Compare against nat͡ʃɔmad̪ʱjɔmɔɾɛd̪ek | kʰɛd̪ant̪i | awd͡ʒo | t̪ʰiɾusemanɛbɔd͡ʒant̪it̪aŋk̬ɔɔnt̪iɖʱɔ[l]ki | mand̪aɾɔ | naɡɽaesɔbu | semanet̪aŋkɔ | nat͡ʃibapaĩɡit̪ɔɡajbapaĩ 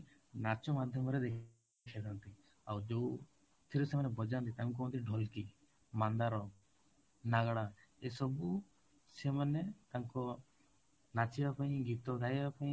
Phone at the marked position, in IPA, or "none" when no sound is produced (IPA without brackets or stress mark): l